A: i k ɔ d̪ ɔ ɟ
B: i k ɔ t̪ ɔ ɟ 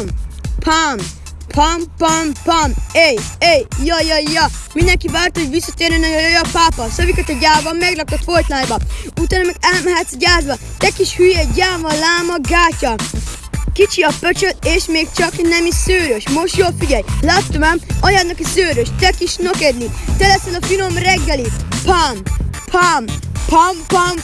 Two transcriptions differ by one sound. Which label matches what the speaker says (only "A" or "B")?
B